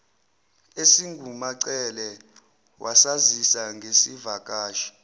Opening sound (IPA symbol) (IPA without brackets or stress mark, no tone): e